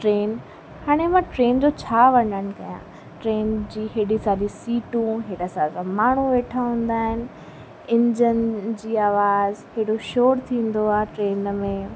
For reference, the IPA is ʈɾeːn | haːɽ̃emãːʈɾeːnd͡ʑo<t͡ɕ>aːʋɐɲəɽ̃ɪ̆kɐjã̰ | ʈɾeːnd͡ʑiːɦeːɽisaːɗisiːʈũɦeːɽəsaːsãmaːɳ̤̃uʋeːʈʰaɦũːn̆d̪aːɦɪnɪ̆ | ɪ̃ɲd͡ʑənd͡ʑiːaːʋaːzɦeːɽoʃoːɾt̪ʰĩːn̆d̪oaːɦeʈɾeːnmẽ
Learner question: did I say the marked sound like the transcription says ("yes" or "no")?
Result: no